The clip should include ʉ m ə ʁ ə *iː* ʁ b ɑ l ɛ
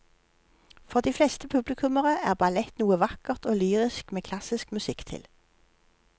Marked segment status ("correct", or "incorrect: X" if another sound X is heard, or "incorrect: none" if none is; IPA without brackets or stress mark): incorrect: æː